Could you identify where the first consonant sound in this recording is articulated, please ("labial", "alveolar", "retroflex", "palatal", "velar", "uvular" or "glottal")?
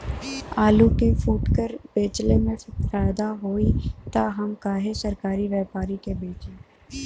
alveolar